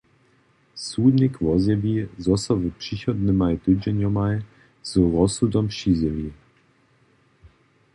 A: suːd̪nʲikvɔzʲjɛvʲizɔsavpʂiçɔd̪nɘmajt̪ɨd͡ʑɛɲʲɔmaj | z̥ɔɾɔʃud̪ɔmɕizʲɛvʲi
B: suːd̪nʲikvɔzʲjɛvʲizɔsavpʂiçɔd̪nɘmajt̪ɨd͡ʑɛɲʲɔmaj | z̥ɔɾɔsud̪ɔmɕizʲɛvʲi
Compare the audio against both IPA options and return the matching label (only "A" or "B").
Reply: B